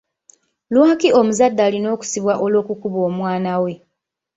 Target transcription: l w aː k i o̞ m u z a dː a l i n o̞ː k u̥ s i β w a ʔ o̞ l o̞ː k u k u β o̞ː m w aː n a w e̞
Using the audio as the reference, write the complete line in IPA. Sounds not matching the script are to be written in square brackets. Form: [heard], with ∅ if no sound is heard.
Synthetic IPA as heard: l w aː k i o̞ m u z a dː a l i n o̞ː k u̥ s i β w a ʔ o̞ l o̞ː k u k u β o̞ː m w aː n a w e̞